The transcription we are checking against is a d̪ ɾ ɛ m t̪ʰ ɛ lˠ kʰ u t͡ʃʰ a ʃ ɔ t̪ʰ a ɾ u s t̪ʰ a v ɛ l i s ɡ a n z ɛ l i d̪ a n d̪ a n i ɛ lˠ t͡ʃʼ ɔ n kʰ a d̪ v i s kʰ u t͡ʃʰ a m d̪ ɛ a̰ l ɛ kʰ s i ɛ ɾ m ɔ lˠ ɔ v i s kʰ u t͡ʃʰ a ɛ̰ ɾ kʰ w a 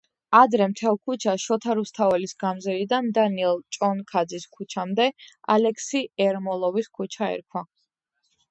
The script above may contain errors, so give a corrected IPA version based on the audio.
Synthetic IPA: a d̪ ɾ ɛ m t̪ʰ ɛ lˠ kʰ u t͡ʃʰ a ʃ ɔ t̪ʰ a ɾ u s t̪ʰ a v ɛ l i s ɡ a m z ɛ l i d̪ a n d̪ a n i ɛ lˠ t͡ʃʼ ɔ n kʰ a d̪ z i s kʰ u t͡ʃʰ a m d̪ ɛ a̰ l ɛ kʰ s i ɛ ɾ m ɔ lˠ ɔ v i s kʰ u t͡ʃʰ a ɛ̰ ɾ kʰ w a